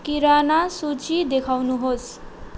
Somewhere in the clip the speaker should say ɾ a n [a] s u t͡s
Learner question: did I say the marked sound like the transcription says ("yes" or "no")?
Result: yes